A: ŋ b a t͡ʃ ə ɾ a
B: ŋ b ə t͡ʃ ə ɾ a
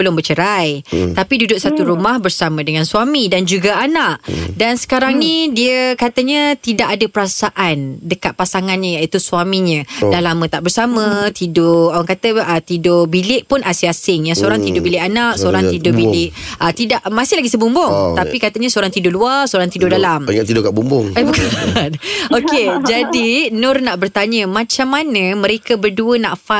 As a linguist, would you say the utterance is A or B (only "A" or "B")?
B